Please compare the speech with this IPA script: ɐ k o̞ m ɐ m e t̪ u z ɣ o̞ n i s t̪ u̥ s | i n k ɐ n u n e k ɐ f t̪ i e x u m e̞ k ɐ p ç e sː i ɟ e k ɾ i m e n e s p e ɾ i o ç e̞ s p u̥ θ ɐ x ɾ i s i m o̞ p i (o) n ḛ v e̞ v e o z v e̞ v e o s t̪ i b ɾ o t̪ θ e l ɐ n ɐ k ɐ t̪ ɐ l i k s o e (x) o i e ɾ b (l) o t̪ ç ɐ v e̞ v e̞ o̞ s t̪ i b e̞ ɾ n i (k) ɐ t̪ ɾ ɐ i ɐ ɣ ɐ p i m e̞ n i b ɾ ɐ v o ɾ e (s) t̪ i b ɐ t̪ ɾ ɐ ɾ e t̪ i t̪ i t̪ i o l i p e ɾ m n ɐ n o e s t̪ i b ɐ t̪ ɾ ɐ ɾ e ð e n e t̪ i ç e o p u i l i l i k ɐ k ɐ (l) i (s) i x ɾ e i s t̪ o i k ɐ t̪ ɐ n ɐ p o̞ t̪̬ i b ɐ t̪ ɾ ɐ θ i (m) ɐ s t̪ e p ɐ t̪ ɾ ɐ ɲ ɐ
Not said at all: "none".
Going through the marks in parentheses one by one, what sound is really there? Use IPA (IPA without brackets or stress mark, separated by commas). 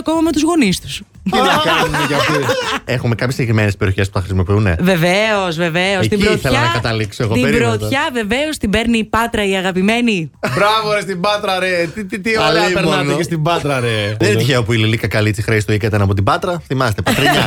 u, ɣ, ɾ, p, s, l, t͡s, m